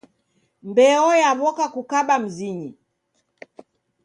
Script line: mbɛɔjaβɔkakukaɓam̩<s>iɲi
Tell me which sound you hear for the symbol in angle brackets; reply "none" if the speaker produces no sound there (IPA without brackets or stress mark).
z